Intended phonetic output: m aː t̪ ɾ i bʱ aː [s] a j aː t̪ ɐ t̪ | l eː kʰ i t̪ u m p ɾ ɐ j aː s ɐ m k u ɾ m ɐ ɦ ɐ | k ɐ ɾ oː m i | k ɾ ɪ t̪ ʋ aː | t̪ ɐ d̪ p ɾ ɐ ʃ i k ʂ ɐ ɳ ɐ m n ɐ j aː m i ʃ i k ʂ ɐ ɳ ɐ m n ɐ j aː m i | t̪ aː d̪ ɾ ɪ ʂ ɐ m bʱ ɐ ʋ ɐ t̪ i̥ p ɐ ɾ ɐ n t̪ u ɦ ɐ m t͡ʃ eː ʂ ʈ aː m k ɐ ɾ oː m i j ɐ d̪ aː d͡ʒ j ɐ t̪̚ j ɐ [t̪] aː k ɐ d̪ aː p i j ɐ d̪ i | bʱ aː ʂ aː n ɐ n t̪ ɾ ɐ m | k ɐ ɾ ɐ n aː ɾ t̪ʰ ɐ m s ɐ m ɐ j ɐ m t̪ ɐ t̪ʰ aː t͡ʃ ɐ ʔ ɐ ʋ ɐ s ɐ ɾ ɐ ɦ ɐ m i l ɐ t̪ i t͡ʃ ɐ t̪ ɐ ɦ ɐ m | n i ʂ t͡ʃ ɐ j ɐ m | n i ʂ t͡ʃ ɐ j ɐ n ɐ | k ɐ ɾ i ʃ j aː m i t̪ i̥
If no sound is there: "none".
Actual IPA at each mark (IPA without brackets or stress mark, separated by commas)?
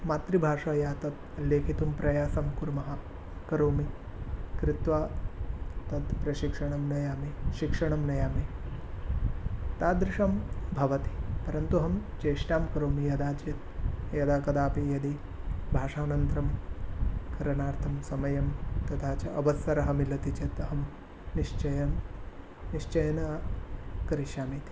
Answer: ʂ, d̪